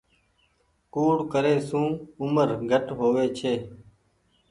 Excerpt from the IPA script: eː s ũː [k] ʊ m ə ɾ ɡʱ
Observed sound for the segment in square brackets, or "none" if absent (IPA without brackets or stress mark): none